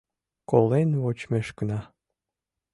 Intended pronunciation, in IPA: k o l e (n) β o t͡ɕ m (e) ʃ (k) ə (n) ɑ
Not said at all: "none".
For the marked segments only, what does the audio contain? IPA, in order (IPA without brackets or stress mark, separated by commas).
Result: n, e, k, n